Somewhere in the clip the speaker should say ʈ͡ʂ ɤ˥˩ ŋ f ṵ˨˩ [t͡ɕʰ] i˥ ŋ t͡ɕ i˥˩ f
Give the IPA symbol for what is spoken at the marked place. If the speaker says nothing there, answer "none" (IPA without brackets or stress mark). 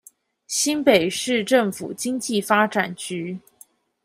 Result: t͡ɕ